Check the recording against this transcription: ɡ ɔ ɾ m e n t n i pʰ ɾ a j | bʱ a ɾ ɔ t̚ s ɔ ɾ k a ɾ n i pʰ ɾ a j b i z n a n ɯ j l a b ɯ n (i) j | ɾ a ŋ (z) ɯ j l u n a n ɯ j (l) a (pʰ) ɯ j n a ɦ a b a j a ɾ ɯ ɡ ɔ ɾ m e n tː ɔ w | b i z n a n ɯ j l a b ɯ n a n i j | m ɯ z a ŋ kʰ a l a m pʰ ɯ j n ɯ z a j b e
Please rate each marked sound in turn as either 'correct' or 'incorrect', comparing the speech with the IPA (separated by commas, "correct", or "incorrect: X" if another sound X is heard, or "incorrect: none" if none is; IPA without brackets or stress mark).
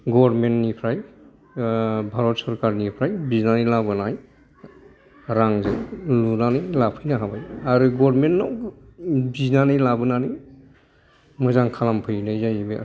incorrect: a, correct, correct, correct